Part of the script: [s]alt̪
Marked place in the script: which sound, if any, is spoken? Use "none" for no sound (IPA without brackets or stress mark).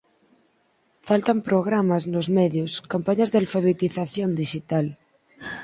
f